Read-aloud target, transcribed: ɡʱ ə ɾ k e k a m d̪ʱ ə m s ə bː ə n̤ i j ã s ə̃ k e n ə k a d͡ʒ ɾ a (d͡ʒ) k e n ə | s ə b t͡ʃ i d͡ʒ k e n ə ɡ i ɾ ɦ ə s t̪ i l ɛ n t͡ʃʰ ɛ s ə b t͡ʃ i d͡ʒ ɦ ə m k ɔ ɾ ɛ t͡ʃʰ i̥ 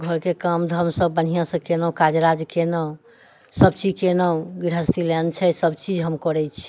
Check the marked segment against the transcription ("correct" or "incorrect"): correct